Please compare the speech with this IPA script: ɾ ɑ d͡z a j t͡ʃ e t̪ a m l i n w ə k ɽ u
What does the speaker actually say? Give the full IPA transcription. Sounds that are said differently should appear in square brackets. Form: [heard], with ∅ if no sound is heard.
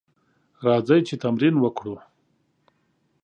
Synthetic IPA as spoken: ɾ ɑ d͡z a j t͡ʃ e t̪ a m [ɾ] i n w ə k ɽ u